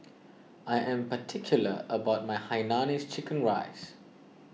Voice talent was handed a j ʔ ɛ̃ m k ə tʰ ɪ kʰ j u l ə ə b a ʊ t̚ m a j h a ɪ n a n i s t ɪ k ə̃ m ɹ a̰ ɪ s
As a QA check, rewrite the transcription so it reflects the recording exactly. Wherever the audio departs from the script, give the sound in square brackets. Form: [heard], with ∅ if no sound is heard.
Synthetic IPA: a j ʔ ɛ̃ m [p] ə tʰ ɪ kʰ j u l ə ə b a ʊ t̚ m a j h a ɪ n a n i s [t͡ʃ] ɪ k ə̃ [n] ɹ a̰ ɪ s

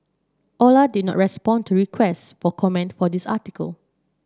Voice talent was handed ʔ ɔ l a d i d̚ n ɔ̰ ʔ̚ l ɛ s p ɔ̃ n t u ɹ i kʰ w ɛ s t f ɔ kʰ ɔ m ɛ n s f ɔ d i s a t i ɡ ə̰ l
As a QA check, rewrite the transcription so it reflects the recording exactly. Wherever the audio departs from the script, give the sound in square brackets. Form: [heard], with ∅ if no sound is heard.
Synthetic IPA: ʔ ɔ l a d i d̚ n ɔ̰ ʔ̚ [ɹ] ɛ s p ɔ̃ n t u ɹ i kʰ w ɛ s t f ɔ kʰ ɔ m [ɛ̃] n [t] f ɔ d i s a t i [k] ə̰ l

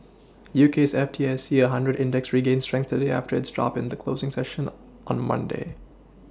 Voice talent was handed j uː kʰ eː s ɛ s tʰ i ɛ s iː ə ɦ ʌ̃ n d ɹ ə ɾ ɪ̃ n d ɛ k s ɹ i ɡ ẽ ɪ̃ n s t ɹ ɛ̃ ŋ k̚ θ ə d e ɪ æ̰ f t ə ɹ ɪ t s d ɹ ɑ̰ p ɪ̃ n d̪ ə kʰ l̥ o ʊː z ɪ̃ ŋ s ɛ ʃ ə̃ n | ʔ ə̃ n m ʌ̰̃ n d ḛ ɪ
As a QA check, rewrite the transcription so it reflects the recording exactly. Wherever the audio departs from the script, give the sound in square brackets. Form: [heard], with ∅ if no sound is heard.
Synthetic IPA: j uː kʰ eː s ɛ [f] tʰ i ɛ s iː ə ɦ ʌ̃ n d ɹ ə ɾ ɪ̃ n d ɛ k s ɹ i ɡ ẽ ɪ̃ n s t ɹ ɛ̃ ŋ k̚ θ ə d e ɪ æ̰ f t ə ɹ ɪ t s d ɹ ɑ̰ p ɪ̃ n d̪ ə kʰ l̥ o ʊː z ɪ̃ ŋ s ɛ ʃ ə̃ n | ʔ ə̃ n m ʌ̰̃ n d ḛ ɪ

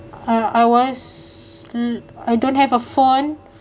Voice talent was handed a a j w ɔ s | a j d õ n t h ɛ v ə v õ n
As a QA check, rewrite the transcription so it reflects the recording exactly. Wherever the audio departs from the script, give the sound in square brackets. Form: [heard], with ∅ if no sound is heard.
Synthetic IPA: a a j w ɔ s | a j d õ n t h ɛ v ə [f] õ n

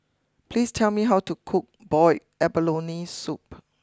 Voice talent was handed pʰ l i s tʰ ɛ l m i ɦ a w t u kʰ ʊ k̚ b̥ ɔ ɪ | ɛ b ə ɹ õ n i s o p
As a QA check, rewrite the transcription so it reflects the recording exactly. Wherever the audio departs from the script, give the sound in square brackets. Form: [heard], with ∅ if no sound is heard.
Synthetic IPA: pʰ l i s tʰ ɛ l m i ɦ a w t u kʰ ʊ k̚ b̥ ɔ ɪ | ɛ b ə [l] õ n i s [u] p

